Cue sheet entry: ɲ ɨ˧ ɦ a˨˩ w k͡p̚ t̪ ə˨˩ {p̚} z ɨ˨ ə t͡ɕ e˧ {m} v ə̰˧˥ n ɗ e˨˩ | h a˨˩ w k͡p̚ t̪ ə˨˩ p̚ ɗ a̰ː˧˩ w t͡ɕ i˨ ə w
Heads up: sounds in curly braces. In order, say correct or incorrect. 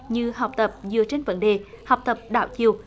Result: correct, incorrect: n

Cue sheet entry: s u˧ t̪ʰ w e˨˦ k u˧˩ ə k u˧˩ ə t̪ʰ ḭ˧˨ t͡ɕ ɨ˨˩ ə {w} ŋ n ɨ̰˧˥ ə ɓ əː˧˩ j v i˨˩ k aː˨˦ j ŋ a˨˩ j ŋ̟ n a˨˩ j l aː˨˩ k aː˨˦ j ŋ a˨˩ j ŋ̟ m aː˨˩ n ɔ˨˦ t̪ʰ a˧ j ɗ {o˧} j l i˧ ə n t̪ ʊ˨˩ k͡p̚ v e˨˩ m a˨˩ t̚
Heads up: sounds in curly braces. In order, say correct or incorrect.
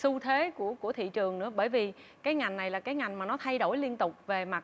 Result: incorrect: none, incorrect: o˧˩

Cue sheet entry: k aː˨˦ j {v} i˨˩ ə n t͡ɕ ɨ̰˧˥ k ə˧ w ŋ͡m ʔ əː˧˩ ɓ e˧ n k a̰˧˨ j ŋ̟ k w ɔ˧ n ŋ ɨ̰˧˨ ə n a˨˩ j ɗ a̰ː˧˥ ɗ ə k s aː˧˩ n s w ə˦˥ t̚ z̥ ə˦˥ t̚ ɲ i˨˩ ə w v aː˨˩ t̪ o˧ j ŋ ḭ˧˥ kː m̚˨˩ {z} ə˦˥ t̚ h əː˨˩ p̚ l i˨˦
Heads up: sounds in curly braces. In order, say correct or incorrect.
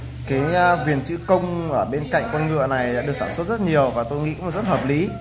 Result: correct, correct

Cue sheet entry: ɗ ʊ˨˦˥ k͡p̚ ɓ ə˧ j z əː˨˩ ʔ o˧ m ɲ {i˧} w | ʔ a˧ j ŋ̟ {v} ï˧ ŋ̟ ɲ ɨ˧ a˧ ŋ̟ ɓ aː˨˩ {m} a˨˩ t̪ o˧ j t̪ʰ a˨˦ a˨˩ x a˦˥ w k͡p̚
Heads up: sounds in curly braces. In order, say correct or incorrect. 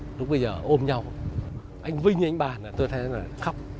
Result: incorrect: a˧, correct, incorrect: n

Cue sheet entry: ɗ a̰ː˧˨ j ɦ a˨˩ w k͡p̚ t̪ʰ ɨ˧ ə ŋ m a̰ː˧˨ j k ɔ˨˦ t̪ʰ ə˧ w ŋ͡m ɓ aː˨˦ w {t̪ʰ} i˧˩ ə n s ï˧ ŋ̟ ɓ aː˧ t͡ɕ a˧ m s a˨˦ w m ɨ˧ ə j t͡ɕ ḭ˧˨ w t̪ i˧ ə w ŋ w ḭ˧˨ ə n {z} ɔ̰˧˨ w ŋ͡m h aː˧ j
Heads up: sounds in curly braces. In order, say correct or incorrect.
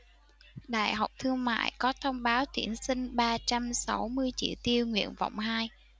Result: incorrect: t̪, incorrect: v

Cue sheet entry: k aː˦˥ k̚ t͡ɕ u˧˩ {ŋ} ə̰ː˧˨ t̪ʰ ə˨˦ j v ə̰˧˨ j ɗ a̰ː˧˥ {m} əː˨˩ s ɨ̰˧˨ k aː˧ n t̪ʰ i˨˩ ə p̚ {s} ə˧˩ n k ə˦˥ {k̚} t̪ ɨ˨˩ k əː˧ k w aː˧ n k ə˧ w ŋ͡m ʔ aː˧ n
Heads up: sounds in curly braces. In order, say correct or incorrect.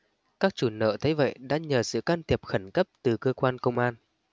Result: incorrect: n, incorrect: ɲ, incorrect: x, incorrect: p̚

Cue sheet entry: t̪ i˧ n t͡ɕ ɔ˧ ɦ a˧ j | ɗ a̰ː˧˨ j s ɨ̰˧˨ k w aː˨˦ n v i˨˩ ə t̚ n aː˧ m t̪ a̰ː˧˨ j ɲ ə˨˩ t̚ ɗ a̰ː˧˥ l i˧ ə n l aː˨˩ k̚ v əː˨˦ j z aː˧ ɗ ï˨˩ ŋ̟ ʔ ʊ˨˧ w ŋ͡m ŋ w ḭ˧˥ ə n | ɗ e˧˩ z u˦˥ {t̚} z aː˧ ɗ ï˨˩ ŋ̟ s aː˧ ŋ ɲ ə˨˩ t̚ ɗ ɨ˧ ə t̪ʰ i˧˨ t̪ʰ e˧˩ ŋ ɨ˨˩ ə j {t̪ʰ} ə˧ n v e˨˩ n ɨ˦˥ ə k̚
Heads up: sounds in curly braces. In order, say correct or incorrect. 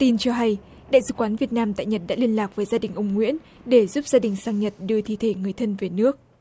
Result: incorrect: p̚, correct

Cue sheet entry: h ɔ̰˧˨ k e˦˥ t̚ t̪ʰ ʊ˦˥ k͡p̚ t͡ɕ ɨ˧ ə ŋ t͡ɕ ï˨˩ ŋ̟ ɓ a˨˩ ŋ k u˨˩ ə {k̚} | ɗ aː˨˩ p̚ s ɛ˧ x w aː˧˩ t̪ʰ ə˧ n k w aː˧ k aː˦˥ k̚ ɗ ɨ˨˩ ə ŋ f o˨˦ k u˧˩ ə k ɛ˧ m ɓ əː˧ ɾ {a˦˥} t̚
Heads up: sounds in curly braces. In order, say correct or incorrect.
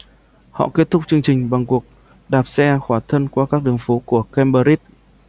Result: correct, incorrect: i˦˥

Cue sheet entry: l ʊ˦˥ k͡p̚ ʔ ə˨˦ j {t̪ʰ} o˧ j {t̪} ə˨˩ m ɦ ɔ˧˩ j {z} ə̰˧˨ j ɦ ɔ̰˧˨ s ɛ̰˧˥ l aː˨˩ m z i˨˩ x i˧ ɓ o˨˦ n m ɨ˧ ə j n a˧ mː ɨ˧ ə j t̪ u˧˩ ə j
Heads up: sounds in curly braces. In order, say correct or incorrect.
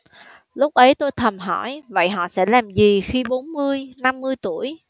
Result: incorrect: t̪, incorrect: t̪ʰ, incorrect: v

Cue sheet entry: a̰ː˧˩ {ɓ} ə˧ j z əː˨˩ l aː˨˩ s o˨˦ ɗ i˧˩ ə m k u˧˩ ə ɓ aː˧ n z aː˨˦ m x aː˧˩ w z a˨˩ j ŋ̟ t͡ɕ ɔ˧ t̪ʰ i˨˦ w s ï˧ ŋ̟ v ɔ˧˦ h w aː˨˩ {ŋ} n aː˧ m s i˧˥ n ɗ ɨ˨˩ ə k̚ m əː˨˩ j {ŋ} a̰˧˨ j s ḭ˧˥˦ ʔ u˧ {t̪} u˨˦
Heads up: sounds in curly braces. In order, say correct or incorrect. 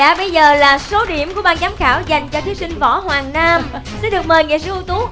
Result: correct, correct, correct, correct

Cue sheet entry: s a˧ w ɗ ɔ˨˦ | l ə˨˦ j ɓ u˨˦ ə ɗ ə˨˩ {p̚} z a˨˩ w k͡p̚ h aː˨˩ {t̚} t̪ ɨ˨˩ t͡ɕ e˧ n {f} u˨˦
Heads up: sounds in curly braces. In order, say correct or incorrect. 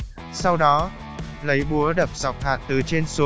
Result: correct, correct, incorrect: s

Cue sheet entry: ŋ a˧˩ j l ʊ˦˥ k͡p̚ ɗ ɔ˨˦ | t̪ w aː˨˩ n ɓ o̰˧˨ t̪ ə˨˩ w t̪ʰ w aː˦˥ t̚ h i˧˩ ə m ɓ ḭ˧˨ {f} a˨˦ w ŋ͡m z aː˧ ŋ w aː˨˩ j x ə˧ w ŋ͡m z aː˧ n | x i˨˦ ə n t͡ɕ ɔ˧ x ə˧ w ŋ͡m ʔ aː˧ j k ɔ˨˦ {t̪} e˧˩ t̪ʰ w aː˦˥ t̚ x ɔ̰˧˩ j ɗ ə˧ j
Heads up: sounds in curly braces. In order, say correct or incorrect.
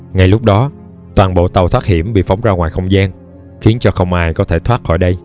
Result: correct, incorrect: t̪ʰ

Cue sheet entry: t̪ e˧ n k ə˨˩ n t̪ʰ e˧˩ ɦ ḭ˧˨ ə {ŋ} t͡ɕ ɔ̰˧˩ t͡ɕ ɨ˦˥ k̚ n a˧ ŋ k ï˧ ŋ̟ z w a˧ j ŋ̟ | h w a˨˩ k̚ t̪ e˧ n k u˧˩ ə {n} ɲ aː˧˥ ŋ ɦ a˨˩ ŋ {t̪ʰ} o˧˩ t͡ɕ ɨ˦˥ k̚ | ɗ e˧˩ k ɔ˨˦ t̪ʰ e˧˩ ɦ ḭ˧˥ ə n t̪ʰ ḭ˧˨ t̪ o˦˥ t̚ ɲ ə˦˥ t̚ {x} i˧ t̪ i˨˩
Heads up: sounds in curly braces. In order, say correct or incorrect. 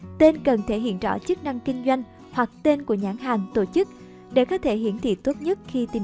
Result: incorrect: n, incorrect: none, incorrect: t̪, correct

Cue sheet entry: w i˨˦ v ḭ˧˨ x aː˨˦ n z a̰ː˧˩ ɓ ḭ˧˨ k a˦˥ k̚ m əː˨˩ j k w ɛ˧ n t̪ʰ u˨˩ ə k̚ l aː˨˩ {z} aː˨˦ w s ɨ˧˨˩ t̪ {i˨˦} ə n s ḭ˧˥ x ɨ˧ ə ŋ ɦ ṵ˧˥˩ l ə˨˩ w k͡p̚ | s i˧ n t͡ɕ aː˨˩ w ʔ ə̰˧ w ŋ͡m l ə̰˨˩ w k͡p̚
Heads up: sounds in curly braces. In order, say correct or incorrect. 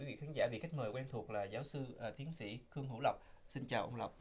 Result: correct, correct

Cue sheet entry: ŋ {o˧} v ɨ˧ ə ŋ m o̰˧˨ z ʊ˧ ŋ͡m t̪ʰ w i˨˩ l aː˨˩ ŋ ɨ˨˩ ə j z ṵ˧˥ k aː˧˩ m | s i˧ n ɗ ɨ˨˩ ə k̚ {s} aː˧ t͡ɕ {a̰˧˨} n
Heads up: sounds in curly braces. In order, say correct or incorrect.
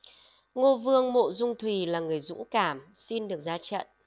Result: correct, incorrect: z, incorrect: ə̰˧˨

